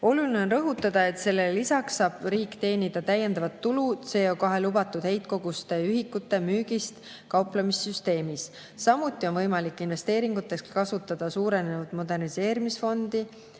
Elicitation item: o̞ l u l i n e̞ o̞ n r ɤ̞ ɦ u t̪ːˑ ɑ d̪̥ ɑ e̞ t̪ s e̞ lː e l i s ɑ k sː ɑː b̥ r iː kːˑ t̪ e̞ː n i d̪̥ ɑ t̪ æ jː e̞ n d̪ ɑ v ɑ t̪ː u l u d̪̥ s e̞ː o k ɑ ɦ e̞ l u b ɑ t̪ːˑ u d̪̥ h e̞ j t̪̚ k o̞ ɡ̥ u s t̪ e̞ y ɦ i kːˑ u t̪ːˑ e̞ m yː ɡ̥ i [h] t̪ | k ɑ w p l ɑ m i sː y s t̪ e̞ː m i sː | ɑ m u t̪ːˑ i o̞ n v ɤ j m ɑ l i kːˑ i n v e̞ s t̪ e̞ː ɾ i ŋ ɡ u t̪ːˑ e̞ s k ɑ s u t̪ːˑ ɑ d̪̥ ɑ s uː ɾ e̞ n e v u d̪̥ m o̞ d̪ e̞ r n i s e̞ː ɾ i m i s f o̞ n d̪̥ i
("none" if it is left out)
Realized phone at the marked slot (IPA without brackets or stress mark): s